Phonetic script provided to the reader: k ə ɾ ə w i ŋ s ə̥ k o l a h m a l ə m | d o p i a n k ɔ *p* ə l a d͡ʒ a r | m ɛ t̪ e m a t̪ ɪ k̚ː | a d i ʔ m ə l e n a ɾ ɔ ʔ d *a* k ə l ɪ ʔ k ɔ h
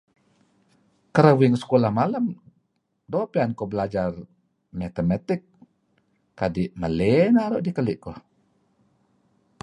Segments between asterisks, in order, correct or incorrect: incorrect: b, incorrect: i

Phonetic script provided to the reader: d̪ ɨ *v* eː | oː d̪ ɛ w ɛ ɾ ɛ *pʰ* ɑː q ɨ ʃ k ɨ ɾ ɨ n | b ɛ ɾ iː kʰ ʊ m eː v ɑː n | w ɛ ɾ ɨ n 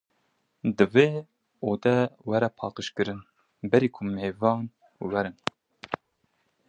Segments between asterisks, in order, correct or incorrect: correct, correct

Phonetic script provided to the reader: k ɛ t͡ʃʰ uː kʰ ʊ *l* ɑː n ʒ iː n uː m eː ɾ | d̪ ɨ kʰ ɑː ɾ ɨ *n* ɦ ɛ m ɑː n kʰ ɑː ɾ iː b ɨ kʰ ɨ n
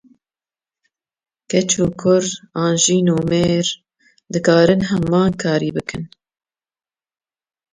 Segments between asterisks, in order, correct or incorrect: incorrect: ɾ, correct

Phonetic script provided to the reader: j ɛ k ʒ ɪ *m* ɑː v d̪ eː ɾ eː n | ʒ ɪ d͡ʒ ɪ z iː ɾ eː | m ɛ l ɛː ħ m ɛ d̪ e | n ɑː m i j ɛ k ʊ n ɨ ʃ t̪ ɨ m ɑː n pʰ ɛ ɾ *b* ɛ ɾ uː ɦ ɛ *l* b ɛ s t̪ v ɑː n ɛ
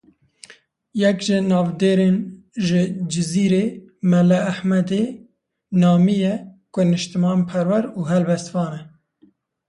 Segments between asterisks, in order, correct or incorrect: incorrect: n, incorrect: w, correct

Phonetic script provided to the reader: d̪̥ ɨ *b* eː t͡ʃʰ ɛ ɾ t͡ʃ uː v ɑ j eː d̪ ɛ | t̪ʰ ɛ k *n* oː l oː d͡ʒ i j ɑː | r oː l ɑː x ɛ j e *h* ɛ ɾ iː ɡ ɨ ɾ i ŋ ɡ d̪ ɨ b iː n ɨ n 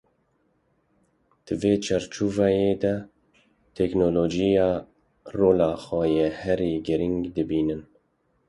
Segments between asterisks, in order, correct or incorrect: incorrect: v, correct, correct

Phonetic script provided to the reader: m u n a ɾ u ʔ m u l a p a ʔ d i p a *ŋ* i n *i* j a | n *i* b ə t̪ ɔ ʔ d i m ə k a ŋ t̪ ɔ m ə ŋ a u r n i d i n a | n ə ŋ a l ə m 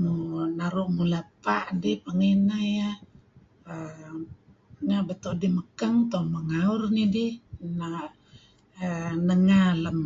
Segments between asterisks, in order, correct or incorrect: correct, incorrect: a, incorrect: a

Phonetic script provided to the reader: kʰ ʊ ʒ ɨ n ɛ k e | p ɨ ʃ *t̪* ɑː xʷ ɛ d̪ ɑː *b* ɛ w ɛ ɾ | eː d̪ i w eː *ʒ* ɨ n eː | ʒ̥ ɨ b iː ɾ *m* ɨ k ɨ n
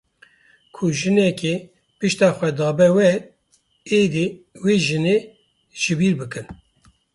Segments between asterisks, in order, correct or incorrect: correct, correct, correct, incorrect: b

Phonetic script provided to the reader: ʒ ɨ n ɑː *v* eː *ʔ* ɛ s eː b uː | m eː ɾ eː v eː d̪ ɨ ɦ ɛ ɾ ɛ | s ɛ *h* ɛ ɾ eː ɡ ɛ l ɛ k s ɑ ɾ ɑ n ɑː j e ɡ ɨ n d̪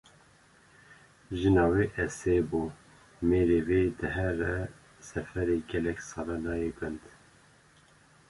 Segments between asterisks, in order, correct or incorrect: incorrect: w, correct, incorrect: f

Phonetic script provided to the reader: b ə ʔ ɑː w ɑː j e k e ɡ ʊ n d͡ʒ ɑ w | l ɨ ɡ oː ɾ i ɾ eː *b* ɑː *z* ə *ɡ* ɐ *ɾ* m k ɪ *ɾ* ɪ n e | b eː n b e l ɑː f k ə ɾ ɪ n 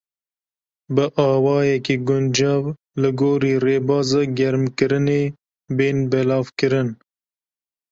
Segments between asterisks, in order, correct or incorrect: correct, correct, correct, correct, correct

